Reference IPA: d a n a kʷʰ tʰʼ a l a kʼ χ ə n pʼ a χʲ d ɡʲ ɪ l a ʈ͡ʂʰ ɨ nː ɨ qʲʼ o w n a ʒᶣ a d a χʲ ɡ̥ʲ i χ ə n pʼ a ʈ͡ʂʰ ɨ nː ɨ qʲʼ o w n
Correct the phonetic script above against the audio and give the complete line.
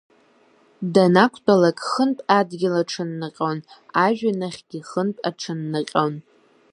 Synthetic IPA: d a n a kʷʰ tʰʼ a l a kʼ χ ə n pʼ a d ɡʲ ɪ l a ʈ͡ʂʰ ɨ nː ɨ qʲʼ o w n a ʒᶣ a n a χʲ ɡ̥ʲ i χ ə n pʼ a ʈ͡ʂʰ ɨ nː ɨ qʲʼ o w n